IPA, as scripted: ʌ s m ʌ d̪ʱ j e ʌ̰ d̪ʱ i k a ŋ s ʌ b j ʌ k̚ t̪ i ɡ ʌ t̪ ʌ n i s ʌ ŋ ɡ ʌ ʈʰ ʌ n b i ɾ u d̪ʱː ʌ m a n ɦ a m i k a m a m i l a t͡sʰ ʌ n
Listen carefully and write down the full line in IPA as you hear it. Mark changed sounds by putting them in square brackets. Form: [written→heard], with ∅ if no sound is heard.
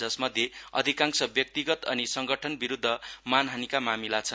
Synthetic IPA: ʌ s m ʌ d̪ʱ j e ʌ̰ d̪ʱ i k a ŋ s ʌ b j ʌ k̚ t̪ i ɡ ʌ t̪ ʌ n i s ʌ ŋ ɡ ʌ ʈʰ ʌ n b i ɾ u d̪ʱː ʌ m a n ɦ a [m→n] i k a m a m i l a t͡sʰ ʌ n

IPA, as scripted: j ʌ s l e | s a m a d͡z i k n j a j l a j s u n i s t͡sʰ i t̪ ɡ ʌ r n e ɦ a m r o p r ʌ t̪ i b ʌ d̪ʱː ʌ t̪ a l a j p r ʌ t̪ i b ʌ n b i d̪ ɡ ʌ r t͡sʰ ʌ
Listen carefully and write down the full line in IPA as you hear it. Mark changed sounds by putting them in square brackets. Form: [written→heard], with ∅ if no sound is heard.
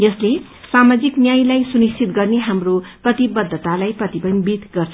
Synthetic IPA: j ʌ s l e | s a m a d͡z i k n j a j l a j s u n i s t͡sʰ i t̪ ɡ ʌ r n e ɦ a m r o p r ʌ t̪ i b ʌ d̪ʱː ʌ t̪ a l a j p r ʌ t̪ i b ʌ n b i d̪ ɡ ʌ r t͡sʰ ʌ

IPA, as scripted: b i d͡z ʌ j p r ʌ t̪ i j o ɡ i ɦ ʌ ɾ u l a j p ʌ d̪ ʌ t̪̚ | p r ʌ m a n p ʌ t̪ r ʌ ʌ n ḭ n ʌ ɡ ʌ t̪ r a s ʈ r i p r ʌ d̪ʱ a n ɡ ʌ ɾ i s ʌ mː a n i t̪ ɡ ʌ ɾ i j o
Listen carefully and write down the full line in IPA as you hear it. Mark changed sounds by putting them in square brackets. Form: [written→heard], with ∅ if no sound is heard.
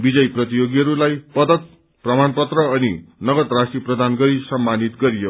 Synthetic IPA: b i d͡z ʌ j p r ʌ t̪ i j o ɡ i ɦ ʌ ɾ u l a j p ʌ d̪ ʌ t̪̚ | p r ʌ m a n p ʌ t̪ r ʌ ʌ n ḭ n ʌ ɡ ʌ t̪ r a s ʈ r i p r ʌ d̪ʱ a n ɡ ʌ ɾ i s ʌ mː a n i t̪ ɡ ʌ ɾ i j o

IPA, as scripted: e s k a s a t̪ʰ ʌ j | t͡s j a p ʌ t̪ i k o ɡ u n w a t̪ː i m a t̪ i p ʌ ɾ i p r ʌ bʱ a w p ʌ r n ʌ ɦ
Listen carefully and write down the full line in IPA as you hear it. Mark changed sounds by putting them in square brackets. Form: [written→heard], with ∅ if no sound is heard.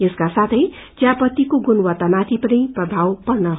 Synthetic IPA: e s k a s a t̪ʰ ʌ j | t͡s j a p ʌ t̪ i k o ɡ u n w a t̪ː [i→a] m a [t̪→t̪ʰ] i p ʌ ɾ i p r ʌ bʱ a w p ʌ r n ʌ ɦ

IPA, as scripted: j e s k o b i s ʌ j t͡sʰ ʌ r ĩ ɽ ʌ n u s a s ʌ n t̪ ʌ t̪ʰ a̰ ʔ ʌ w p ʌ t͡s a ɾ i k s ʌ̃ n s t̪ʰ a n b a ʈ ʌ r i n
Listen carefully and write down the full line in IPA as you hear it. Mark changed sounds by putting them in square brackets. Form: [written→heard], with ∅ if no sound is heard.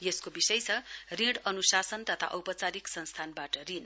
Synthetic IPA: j e s k o b i s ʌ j t͡sʰ ʌ r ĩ ɽ ʌ n u s a s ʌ n t̪ ʌ t̪ʰ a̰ ʔ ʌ w p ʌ t͡s a ɾ i k s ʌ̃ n s t̪ʰ a n b a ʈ ʌ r i n

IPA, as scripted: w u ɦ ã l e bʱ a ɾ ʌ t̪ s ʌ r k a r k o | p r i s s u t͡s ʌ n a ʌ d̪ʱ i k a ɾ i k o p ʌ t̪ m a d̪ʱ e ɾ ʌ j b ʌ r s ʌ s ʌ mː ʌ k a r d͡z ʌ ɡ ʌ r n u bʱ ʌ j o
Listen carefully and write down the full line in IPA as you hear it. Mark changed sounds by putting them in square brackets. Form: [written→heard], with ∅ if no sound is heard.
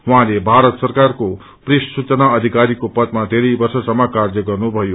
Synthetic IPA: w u ɦ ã l e bʱ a ɾ ʌ t̪ s ʌ r k a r k o | p r i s s u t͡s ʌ n a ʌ d̪ʱ i k a ɾ i k o p ʌ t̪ m a d̪ʱ e ɾ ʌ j b ʌ r s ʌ s ʌ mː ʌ k a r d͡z ʌ ɡ ʌ r n u bʱ ʌ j o

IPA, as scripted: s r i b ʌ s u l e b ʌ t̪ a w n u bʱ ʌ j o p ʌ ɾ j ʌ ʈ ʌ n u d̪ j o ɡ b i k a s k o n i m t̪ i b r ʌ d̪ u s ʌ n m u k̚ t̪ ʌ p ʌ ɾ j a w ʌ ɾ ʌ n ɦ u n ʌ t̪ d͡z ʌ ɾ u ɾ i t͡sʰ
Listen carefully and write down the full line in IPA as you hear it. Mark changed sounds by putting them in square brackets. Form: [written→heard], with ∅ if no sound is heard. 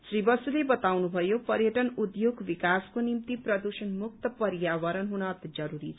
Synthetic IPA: s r i b ʌ s u l e b ʌ t̪ a w n u bʱ ʌ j o p ʌ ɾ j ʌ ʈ ʌ n u d̪ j o ɡ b i k a s k o n i m t̪ i [b→p] r ʌ d̪ u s ʌ n m u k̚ t̪ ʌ p ʌ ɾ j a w ʌ ɾ ʌ n ɦ u n ʌ t̪ d͡z ʌ ɾ u ɾ i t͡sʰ

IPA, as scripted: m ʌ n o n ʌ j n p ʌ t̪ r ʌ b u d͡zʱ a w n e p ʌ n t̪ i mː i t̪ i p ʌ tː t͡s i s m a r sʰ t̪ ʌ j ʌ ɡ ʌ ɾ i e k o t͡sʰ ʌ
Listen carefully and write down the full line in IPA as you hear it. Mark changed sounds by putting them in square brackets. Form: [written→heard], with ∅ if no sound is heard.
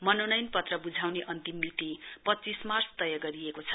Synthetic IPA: m ʌ n o n ʌ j n p ʌ t̪ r ʌ b u d͡zʱ a w n e [p→ʔ] ʌ n t̪ i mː i t̪ i p ʌ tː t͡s i s m a r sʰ t̪ ʌ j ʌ ɡ ʌ ɾ i e k o t͡sʰ ʌ

